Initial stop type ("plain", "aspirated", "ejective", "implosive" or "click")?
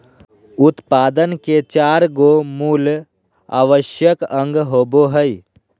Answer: plain